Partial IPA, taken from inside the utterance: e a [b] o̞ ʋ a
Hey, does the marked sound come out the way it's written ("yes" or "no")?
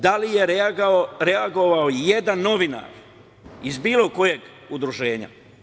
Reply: no